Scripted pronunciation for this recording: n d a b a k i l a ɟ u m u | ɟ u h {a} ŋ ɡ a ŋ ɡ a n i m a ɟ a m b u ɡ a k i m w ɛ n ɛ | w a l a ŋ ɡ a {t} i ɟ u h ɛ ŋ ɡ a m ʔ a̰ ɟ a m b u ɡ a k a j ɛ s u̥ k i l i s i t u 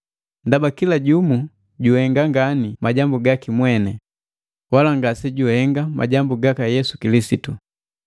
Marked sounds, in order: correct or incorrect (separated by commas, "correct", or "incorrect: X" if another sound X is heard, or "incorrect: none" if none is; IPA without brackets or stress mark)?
incorrect: ɛ, incorrect: s